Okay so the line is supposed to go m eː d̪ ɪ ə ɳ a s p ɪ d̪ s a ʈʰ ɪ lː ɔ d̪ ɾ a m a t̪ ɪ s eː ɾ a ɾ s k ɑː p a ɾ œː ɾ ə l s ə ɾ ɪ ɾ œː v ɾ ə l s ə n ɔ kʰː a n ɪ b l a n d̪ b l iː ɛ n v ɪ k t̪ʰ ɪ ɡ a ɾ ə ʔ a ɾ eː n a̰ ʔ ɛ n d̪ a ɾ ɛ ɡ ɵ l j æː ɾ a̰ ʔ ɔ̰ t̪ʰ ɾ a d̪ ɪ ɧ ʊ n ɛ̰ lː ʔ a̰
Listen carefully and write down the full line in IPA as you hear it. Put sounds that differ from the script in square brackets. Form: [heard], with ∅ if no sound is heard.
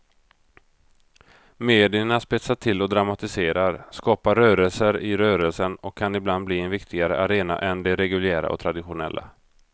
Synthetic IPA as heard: m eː d̪ ɪ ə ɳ a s p ɪ [t̪] s a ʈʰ ɪ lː ɔ d̪ ɾ a m a t̪ ɪ s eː ɾ a ɾ s k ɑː p a ɾ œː ɾ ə l s ə ɾ ɪ ɾ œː [∅] ɾ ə l s ə n ɔ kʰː a n ɪ b l a n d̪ b l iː ɛ n v ɪ k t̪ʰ ɪ ɡ a ɾ ə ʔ a ɾ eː n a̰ ʔ ɛ n d̪ [ɛ] ɾ ɛ ɡ ɵ l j æː ɾ a̰ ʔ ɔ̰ t̪ʰ ɾ a d̪ ɪ ɧ ʊ n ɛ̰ lː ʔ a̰